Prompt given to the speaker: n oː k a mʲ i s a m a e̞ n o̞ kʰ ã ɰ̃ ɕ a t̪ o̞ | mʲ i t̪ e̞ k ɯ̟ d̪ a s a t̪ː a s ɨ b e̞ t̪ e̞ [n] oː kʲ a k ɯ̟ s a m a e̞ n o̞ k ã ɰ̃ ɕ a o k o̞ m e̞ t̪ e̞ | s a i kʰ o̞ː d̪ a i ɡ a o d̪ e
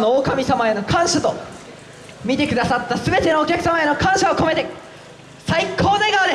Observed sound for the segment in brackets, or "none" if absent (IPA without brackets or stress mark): n